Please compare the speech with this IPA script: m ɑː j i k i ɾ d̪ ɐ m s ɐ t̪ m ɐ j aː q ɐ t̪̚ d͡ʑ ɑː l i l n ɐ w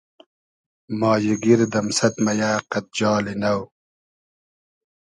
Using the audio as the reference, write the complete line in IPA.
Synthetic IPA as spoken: m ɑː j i ɡ i ɾ d̪ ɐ m s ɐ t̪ m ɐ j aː q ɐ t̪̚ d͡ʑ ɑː l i n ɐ w